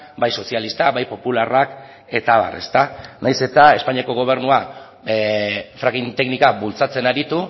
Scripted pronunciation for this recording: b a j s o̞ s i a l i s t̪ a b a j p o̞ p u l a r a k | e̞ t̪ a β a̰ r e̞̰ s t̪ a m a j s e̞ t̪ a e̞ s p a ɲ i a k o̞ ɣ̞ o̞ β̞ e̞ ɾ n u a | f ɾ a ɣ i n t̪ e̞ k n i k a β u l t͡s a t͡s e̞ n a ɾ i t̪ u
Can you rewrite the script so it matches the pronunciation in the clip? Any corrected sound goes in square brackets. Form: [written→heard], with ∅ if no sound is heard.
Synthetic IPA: b a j s o̞ s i a l i s t̪ a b a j p o̞ p u l a r a k | e̞ t̪ a β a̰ r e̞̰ s t̪ a [m→n] a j s e̞ t̪ a e̞ s p a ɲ i a k o̞ ɣ̞ o̞ β̞ e̞ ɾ n u a | f ɾ a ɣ i n t̪ e̞ k n i k a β u l t͡s a t͡s e̞ n a ɾ i t̪ u